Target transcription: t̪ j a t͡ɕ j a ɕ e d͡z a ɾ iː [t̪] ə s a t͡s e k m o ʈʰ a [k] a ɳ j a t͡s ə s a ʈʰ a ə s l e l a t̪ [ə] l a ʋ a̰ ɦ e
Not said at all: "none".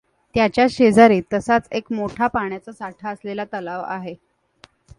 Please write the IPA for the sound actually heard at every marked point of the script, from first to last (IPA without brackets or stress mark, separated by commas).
t̪, p, ə